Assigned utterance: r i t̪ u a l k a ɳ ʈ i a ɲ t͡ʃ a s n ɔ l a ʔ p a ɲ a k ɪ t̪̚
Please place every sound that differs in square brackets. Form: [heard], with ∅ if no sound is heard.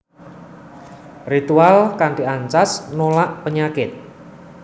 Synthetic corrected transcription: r i t̪ u a l k a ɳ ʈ i a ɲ t͡ʃ a s n [o] l a ʔ p [ə] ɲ a k ɪ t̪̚